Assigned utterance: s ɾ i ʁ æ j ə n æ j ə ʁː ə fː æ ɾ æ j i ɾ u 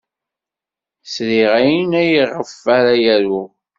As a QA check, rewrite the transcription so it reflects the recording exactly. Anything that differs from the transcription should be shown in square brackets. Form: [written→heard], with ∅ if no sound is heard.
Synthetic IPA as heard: s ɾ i ʁ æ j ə n æ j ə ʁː ə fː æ ɾ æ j [i→æ] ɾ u